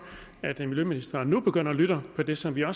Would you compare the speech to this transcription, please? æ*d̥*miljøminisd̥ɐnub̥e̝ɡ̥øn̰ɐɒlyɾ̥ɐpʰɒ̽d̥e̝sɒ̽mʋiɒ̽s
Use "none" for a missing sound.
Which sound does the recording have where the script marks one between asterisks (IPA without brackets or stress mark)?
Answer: d̥